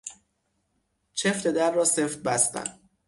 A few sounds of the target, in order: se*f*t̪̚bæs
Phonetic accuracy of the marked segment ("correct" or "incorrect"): correct